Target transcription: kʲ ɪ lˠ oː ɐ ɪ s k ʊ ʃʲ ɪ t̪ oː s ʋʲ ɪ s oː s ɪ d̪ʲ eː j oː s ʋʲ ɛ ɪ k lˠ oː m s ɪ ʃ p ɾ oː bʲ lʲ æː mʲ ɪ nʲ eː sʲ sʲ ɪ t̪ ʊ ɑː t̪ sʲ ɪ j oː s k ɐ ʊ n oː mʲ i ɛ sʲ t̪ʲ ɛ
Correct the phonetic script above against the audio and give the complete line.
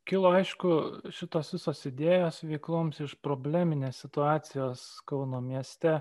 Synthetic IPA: kʲ ɪ lˠ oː ɐ ɪ ʃ k ʊ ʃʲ ɪ t̪ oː s ʋʲ ɪ s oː s ɪ d̪ʲ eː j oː s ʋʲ ɛ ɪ k lˠ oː m s ɪ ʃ p ɾ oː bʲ lʲ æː mʲ ɪ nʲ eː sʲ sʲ ɪ t̪ ʊ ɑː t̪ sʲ ɪ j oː s k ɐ ʊ n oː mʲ i ɛ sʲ t̪ʲ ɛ